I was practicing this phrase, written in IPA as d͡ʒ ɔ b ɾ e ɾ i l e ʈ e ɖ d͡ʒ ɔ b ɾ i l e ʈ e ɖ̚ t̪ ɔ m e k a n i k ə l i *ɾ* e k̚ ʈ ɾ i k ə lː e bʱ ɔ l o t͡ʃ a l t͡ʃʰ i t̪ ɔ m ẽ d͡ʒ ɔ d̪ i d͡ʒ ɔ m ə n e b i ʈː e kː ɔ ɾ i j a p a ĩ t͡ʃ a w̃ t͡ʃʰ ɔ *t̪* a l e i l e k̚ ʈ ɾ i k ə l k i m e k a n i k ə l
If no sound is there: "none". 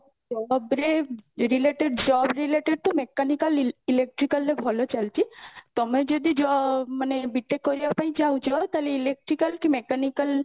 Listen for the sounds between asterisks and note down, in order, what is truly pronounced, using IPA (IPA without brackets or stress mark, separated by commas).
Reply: l, t̪